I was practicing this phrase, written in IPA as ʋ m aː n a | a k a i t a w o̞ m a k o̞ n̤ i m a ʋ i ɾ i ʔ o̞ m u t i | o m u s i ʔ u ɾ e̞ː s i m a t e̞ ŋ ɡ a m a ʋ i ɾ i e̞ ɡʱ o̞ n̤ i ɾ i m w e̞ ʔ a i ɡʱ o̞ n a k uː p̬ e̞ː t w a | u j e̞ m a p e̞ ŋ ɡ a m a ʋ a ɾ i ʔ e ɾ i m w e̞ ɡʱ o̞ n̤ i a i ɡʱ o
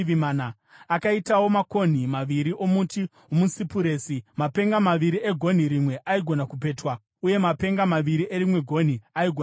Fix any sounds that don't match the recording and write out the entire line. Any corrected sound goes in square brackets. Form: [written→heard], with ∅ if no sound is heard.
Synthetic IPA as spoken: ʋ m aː n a | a k a i t a w o̞ m a k o̞ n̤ i m a ʋ i ɾ i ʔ o̞ m u t i | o m u s i [ʔ→p] u ɾ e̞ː s i m a [t→p] e̞ ŋ ɡ a m a ʋ i ɾ i e̞ ɡʱ o̞ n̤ i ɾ i m w e̞ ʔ a i ɡʱ o̞ n a k [uː→u] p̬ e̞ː t w a | u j e̞ m a p e̞ ŋ ɡ a m a ʋ [a→i] ɾ i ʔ e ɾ i m w e̞ ɡʱ o̞ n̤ i a i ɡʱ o